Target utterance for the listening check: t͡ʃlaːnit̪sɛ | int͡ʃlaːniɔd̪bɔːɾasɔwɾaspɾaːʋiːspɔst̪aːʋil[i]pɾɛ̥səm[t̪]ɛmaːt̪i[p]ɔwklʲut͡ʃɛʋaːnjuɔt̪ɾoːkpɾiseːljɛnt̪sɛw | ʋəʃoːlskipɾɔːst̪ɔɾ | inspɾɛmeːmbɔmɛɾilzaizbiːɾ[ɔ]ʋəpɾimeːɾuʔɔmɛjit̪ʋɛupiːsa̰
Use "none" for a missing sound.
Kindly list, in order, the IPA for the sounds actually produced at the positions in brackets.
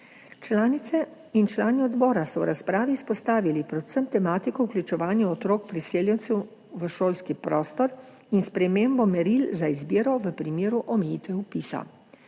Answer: i, t̪, k, ɔ

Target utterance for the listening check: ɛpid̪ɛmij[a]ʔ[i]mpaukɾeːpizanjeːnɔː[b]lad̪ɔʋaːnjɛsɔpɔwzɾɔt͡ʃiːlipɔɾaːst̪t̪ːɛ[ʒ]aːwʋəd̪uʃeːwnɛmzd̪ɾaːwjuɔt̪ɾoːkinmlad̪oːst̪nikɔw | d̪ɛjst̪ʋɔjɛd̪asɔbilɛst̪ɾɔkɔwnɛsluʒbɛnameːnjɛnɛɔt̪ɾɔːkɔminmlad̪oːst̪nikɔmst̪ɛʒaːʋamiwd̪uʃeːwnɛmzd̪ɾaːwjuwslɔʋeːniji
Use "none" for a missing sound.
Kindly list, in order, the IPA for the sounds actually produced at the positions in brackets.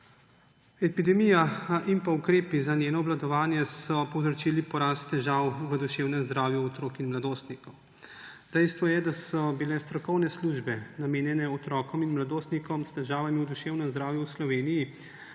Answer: a, i, b, ʒ

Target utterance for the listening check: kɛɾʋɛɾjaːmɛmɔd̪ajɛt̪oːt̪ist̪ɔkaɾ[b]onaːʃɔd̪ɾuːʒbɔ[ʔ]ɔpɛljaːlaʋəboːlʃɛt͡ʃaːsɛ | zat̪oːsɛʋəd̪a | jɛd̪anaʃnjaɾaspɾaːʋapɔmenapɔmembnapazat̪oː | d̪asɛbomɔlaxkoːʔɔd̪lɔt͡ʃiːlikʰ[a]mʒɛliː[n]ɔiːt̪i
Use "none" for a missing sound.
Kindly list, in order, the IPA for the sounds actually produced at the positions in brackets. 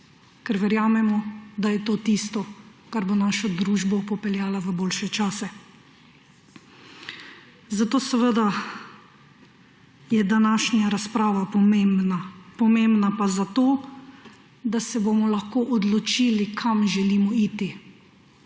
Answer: b, p, a, m

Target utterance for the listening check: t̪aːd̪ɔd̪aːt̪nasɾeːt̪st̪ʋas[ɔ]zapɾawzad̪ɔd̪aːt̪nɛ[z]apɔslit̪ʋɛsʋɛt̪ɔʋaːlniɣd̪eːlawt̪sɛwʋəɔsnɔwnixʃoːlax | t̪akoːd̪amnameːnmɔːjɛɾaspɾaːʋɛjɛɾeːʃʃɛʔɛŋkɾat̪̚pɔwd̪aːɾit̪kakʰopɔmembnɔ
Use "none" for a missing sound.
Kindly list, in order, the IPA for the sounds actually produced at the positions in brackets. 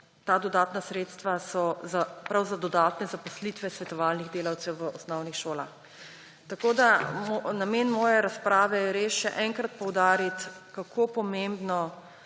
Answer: ɔ, z

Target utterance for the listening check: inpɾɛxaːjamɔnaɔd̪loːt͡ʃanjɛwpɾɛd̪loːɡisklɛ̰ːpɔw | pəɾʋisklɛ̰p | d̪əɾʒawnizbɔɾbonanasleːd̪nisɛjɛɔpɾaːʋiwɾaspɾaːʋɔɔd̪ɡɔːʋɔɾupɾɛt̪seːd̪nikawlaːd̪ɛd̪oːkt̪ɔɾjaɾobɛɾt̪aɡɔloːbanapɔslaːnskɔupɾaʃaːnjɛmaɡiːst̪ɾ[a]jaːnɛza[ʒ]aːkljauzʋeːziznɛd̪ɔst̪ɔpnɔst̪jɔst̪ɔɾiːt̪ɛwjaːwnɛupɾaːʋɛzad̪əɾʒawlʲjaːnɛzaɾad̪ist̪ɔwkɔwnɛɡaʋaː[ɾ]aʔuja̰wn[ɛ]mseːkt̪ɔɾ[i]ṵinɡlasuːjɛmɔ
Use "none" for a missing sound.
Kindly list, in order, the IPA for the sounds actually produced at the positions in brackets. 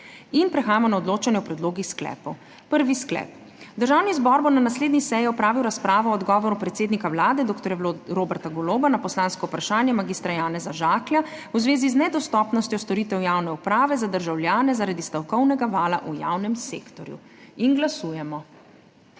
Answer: a, ʒ, l, ɛ, j

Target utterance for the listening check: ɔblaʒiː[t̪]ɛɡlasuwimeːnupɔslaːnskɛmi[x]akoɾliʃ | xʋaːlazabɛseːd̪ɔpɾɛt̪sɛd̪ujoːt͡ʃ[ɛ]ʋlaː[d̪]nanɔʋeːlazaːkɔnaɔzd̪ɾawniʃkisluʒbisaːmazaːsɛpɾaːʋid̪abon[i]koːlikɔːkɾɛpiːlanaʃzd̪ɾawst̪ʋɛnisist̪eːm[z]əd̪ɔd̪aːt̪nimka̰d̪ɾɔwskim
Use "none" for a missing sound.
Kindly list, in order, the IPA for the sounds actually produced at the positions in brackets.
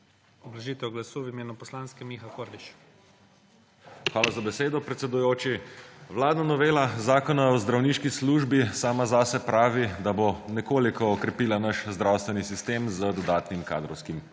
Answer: t̪, x, i, d̪, ɛ, z

